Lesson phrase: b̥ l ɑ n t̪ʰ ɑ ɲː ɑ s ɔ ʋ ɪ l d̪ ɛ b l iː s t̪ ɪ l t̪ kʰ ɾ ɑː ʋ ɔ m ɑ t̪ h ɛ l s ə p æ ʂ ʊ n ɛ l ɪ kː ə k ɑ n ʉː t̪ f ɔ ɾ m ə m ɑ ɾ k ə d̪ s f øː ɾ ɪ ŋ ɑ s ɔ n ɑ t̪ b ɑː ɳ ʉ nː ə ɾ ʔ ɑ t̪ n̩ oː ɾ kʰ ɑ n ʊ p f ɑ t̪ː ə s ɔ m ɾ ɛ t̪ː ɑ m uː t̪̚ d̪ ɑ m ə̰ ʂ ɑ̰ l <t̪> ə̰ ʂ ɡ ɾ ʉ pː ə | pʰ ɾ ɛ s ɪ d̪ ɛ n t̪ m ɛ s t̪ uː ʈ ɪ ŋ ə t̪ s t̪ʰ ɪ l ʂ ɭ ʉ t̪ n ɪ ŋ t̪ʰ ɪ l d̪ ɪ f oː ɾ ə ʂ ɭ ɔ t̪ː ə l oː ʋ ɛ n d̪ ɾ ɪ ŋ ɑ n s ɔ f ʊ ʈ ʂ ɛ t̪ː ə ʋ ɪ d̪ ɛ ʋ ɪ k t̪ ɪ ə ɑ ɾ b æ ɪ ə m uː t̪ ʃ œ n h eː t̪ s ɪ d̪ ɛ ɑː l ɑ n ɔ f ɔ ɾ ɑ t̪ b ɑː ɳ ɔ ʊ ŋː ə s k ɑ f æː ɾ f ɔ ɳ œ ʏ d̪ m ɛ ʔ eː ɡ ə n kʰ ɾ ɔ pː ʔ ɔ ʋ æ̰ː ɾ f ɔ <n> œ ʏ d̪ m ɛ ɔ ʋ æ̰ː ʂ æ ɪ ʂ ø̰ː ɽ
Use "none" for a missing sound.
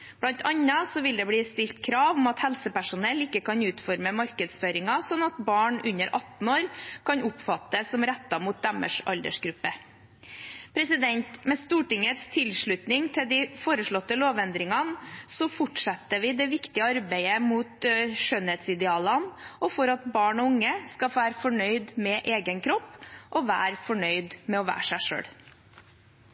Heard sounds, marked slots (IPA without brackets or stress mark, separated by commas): d̪, ɳ